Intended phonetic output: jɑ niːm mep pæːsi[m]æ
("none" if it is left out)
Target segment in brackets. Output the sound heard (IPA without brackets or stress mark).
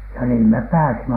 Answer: m